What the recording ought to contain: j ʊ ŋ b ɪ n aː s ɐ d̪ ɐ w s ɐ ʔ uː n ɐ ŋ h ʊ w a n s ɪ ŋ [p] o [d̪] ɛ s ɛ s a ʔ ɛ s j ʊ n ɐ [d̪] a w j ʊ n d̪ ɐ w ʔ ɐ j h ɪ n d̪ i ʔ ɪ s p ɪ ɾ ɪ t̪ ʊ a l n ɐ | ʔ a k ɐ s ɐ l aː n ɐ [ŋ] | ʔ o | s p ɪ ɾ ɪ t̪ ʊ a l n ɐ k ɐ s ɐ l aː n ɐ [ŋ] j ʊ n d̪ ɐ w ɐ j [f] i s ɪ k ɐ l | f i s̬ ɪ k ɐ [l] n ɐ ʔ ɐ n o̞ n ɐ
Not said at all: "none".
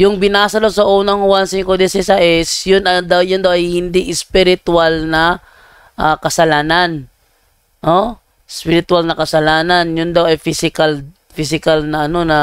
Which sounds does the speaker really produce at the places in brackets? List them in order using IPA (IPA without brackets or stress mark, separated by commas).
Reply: k, d̪, d̪, n, n, f, l